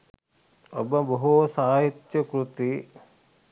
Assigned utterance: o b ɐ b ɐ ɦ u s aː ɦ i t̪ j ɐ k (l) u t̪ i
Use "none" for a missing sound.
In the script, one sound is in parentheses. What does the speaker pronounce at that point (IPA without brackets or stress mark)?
ɾ